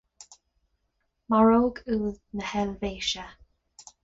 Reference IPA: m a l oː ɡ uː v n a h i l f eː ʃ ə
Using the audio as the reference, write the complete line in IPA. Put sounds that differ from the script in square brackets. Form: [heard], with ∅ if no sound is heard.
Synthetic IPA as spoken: m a [ɹ] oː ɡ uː [ð] n [ə] h [ɛ] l [v] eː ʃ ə